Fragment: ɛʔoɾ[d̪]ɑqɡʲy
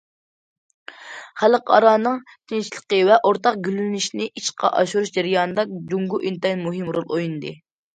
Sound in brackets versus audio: incorrect: t̪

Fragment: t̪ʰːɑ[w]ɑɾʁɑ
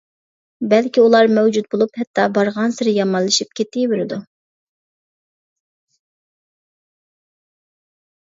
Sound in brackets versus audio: incorrect: b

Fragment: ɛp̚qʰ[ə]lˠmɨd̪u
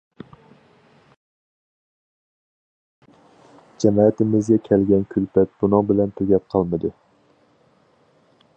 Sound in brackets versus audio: incorrect: ɑ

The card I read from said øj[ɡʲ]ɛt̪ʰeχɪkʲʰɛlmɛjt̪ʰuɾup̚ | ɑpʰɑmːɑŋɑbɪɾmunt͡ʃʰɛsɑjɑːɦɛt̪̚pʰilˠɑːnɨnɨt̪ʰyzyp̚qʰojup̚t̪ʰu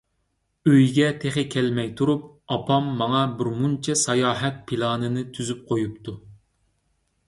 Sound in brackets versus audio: correct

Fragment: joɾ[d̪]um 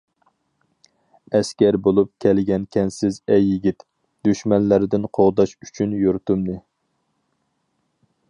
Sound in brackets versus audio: incorrect: t̪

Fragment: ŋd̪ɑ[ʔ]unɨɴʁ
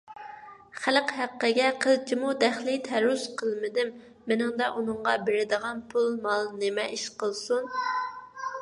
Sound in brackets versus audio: correct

